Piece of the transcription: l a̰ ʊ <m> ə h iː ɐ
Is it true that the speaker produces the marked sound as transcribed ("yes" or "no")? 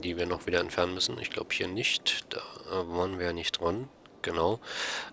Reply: no